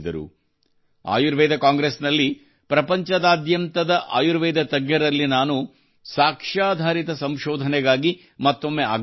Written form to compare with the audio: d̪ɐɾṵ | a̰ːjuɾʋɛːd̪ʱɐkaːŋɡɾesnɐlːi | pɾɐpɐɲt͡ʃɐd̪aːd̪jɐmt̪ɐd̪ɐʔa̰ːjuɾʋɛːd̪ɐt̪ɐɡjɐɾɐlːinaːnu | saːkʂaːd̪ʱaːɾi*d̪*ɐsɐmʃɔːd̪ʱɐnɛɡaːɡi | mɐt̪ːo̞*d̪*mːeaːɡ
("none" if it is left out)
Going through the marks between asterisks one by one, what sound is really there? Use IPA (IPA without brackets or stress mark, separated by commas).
t̪, none